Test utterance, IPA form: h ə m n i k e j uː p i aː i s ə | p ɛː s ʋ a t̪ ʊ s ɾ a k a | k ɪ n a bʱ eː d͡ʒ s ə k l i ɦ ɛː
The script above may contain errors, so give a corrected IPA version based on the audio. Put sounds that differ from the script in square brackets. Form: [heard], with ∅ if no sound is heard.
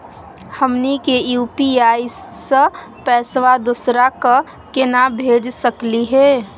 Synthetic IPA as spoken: h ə m n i k e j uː p i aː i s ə | p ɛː s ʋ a [d̪] ʊ s ɾ a k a | k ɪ n a bʱ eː d͡ʒ s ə k l i ɦ ɛː